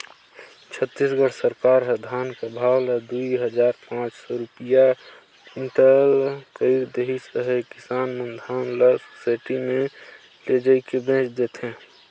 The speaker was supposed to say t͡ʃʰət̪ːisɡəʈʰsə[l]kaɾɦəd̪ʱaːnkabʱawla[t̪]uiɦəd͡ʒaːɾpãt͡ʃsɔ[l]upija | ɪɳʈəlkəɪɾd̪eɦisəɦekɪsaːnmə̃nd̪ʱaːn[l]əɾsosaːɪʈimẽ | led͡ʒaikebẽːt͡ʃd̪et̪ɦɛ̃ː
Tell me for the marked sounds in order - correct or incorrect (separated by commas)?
incorrect, incorrect, incorrect, correct